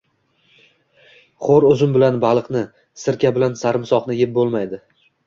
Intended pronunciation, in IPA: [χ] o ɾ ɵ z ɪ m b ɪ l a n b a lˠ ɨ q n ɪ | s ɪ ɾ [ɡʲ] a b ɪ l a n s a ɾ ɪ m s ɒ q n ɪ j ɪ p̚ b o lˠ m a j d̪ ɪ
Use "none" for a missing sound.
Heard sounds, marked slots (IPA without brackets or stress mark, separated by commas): χ, kʲ